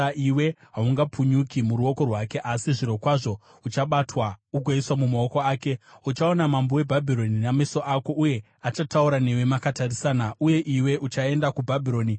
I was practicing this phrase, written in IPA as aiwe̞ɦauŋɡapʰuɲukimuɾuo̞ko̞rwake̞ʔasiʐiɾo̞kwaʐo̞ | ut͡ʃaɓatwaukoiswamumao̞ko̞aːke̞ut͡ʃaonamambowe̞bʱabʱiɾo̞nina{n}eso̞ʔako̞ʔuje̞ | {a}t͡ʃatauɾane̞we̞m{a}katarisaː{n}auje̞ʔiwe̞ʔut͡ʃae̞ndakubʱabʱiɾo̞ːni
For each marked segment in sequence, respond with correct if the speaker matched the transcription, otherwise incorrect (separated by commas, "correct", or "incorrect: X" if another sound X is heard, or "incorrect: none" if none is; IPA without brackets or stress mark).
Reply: incorrect: m, correct, correct, correct